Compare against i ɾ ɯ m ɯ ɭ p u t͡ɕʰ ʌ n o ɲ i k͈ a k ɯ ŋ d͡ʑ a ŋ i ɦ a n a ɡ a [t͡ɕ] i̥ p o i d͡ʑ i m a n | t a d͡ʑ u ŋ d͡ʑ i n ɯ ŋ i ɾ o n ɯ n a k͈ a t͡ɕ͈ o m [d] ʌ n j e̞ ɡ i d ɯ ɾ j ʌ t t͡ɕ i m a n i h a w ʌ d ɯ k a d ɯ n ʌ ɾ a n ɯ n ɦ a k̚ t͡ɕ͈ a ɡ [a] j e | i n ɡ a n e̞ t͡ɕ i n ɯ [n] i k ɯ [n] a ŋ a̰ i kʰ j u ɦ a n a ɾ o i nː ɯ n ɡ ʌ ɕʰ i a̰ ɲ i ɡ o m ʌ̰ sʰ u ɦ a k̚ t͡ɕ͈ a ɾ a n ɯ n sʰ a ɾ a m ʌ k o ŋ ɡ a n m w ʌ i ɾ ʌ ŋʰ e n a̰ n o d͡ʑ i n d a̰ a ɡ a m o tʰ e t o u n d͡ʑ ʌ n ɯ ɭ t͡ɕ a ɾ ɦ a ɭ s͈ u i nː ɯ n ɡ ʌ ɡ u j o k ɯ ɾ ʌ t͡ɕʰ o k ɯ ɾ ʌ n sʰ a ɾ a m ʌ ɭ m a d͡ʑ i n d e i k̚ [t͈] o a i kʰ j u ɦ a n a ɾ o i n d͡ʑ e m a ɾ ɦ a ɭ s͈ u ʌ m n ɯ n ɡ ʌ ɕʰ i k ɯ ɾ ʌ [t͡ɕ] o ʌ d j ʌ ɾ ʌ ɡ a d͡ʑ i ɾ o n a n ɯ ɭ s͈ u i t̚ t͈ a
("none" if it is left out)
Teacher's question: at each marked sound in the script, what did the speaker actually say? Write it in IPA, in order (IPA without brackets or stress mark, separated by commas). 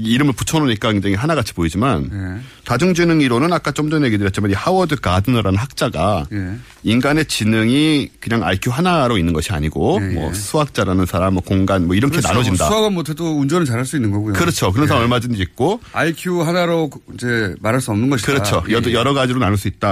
t͡ɕʰ, d, a, ŋ, ɲ, k͈, t͡ɕʰ